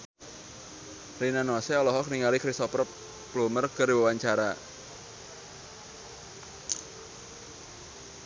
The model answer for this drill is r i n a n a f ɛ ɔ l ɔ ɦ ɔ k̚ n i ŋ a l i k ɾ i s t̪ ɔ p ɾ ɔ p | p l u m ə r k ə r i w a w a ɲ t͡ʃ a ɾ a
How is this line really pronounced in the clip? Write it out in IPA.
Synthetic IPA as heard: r i n a n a s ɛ ɔ l ɔ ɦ ɔ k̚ n i ŋ a l i k ɾ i s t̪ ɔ p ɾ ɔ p | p l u m ə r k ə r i w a w a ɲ t͡ʃ a ɾ a

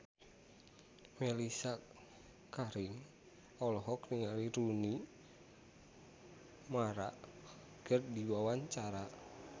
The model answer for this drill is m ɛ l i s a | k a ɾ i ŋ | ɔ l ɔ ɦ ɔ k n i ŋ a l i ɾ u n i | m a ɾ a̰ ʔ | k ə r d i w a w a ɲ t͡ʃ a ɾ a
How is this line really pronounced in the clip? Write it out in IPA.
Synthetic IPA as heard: m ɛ l i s a | k a ɾ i ŋ | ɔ l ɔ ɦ ɔ k n i ŋ a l i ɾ u n i | m a ɾ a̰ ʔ | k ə r d i w a w a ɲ t͡ʃ a ɾ a

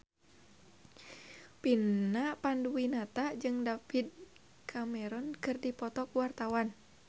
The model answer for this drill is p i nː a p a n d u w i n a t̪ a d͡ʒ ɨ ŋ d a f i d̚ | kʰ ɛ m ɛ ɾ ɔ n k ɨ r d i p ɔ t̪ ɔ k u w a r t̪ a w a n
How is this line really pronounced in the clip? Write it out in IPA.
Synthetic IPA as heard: p i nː a p a n d u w i n a t̪ a d͡ʒ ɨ ŋ d a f i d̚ | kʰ a m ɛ ɾ ɔ n k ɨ r d i p ɔ t̪ ɔ k u w a r t̪ a w a n

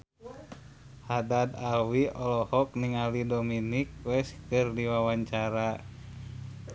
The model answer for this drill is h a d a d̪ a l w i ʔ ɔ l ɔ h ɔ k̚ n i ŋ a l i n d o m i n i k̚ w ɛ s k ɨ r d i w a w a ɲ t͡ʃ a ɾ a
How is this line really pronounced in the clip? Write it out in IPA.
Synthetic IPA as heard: h a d a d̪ a l w i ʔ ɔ l ɔ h ɔ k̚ n i ŋ a l i d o m i n i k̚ w ɛ s k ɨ r d i w a w a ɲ t͡ʃ a ɾ a

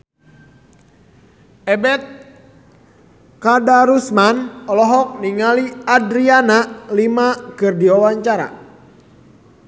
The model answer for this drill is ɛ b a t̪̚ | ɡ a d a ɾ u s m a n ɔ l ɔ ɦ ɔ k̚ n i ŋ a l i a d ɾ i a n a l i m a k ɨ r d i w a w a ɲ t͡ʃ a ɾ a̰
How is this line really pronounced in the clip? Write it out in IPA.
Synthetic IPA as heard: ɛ b ɛ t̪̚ | k a d a ɾ u s m a n ɔ l ɔ ɦ ɔ k̚ n i ŋ a l i a d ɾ i a n a l i m a k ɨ r d i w a w a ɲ t͡ʃ a ɾ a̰

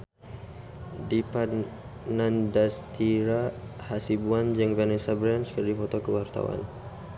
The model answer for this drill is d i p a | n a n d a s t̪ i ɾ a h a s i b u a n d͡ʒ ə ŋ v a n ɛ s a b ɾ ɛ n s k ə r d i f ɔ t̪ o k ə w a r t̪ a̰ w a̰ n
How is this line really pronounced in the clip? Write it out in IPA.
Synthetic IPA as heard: d i p a | n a n d a s t̪ i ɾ a h a s i b u a n d͡ʒ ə ŋ v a n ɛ s a b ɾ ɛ n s k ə r d i f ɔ t̪ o k ə w a r t̪ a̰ w a̰ n

